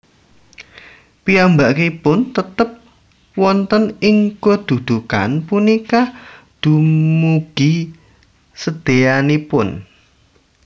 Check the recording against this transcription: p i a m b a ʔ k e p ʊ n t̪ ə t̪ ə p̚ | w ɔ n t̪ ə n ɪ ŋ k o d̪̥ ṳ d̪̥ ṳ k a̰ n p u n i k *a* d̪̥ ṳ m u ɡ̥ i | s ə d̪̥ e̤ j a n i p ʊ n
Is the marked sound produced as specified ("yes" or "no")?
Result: yes